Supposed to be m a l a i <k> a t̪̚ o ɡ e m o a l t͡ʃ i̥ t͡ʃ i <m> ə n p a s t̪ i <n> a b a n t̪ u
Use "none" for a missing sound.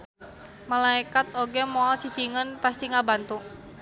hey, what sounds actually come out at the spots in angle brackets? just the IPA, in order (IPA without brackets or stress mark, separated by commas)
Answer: k, ŋ, ŋ